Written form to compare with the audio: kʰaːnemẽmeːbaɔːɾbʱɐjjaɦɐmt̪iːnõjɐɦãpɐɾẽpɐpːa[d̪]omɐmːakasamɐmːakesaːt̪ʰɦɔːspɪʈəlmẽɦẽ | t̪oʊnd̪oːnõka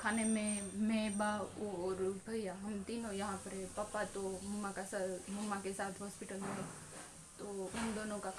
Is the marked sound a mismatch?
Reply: yes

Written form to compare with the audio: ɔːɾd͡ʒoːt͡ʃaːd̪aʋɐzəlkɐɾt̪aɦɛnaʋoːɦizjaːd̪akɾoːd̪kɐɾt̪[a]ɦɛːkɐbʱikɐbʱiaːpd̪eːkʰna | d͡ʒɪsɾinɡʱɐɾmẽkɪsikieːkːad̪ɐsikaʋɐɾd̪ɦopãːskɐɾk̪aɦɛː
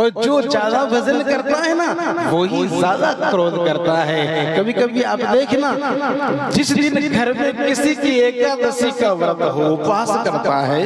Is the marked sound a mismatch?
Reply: no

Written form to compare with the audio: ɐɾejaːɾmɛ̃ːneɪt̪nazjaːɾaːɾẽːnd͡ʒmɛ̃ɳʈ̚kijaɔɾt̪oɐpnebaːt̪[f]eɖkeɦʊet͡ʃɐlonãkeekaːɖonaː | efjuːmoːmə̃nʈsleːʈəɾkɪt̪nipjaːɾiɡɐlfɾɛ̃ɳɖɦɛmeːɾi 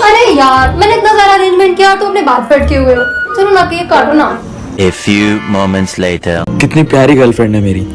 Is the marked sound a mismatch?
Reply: no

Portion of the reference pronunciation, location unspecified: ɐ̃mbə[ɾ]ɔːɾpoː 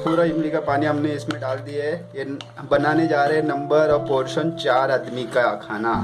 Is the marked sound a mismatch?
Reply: no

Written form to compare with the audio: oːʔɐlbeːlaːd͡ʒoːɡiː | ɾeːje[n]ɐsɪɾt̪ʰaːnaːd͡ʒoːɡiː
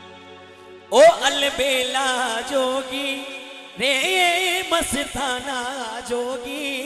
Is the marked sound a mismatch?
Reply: yes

